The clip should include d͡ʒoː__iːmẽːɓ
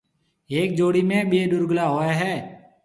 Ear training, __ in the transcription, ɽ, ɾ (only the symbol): ɽ